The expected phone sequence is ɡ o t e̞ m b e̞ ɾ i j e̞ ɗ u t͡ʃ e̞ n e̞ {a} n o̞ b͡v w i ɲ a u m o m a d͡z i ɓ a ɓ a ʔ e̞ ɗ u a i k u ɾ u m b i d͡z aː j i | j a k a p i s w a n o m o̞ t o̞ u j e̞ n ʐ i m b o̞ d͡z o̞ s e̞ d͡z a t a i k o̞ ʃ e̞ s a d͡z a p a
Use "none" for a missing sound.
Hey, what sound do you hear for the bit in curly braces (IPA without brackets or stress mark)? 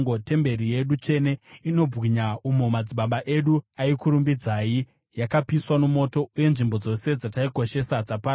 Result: i